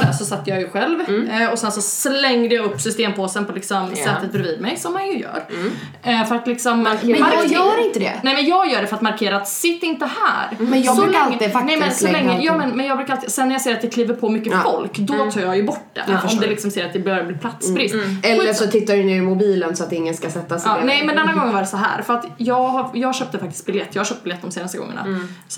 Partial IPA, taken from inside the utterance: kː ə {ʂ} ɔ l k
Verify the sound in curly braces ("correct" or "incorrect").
incorrect